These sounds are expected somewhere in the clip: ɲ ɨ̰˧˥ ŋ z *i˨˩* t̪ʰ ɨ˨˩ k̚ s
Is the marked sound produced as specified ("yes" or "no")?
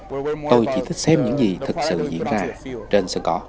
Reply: yes